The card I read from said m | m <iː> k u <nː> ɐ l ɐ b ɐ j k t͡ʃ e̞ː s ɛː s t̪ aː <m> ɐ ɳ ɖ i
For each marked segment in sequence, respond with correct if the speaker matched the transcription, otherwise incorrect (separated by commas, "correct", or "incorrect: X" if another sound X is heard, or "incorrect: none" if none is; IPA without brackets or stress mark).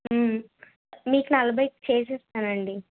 correct, incorrect: n, incorrect: n